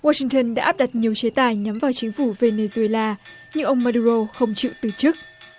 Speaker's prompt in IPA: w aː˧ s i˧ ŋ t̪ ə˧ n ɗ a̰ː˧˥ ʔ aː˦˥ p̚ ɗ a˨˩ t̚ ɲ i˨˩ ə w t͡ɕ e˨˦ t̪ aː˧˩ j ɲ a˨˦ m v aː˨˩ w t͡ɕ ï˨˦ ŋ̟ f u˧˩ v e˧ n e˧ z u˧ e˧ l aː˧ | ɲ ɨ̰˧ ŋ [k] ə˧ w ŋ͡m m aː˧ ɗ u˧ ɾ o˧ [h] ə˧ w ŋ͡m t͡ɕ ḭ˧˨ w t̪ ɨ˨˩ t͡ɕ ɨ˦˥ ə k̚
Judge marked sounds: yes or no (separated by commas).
no, no